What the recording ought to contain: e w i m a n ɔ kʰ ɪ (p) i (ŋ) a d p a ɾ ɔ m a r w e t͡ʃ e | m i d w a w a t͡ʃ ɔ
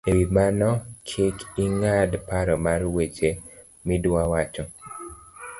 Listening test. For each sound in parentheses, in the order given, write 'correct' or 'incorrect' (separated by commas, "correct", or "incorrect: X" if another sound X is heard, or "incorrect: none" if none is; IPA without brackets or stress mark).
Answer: incorrect: k, correct